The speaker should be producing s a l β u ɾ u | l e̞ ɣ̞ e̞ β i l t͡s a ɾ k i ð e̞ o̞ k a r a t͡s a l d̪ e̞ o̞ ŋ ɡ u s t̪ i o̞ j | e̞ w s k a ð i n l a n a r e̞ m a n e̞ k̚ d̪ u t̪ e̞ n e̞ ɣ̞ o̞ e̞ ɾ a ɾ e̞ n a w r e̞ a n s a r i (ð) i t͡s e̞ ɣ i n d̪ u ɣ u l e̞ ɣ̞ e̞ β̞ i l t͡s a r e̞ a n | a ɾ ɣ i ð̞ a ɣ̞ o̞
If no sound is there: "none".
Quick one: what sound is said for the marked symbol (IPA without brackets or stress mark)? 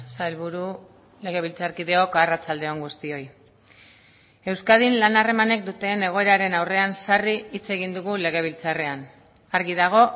none